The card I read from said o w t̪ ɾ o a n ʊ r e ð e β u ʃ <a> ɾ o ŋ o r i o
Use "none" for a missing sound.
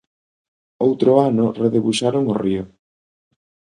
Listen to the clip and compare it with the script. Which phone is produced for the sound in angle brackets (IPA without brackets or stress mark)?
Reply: a